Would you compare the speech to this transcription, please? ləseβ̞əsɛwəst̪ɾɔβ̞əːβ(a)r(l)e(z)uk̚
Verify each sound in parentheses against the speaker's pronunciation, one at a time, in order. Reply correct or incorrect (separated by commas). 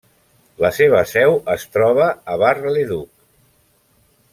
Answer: correct, correct, incorrect